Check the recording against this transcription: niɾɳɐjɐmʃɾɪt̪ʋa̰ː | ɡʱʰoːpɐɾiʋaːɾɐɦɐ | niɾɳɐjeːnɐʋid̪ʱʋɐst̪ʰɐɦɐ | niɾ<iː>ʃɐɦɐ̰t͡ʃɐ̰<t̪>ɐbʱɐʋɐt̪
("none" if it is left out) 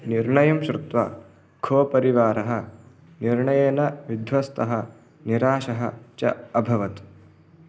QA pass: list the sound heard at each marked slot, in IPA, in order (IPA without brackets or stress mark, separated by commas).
aː, none